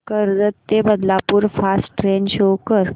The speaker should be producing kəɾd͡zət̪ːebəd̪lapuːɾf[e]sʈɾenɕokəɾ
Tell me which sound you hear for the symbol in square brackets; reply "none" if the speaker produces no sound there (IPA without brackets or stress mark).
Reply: a